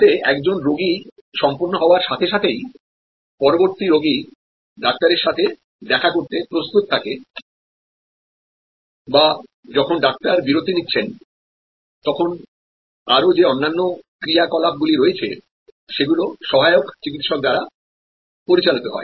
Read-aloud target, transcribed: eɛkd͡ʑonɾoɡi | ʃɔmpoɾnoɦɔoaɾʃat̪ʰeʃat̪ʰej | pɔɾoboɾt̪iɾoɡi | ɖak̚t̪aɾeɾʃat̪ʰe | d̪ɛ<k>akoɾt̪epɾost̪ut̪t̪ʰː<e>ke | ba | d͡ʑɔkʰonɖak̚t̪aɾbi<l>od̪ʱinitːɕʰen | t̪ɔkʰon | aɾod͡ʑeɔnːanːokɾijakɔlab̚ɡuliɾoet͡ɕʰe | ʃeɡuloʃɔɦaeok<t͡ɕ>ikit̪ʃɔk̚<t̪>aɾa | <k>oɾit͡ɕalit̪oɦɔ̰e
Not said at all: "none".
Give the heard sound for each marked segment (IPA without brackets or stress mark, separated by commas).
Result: kʰ, a, ɾ, t͡ɕ, d̪, p